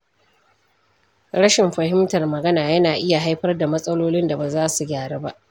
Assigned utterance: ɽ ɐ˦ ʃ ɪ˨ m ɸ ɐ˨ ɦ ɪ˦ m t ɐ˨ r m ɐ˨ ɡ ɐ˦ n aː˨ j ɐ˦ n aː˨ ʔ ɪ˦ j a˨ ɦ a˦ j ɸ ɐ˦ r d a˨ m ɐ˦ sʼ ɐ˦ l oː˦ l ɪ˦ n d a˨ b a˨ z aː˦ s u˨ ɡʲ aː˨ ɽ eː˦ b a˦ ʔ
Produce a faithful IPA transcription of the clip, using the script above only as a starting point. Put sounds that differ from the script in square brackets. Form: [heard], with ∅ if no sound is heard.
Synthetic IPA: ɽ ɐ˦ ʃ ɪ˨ m ɸ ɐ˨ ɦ ɪ˦ m t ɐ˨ r m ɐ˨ ɡ ɐ˦ n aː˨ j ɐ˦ n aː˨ ʔ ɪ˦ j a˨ ɦ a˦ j ɸ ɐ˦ r d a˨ m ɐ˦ sʼ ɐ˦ l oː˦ l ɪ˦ n d a˨ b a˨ z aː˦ s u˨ ɡʲ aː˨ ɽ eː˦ b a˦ ʔ